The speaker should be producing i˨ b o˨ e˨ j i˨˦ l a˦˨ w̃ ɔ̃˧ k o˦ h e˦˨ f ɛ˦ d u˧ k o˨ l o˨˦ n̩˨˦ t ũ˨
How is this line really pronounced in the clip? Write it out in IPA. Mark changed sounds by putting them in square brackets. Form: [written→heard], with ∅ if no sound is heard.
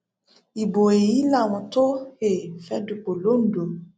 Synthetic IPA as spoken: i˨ b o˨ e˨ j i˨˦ l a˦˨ w̃ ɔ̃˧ [k→t] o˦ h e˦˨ f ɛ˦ d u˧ [k→k͡p] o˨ l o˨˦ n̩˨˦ [t→d] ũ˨